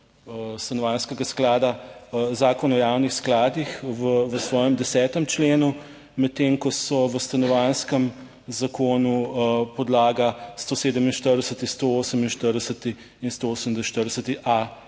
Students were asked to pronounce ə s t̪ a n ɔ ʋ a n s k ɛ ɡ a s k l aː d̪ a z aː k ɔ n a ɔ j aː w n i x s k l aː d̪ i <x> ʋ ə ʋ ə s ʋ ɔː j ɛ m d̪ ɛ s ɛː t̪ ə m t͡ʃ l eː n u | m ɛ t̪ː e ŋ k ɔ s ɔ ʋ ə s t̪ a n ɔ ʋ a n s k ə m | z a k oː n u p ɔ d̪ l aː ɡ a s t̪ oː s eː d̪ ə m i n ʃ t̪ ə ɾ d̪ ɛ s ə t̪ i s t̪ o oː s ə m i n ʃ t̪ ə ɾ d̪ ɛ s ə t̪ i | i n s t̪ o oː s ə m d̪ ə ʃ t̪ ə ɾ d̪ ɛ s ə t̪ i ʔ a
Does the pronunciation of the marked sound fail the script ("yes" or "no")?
no